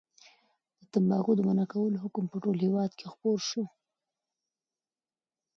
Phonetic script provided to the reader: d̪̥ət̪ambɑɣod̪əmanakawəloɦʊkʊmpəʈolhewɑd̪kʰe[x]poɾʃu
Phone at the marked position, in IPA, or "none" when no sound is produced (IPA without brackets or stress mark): x